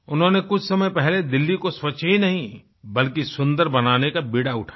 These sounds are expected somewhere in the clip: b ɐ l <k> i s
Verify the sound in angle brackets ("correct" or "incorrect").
correct